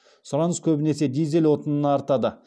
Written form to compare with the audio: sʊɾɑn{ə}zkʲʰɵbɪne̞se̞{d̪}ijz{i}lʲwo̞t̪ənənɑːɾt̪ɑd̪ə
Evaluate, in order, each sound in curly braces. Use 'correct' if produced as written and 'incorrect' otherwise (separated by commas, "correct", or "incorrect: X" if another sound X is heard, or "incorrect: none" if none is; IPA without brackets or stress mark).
correct, correct, incorrect: e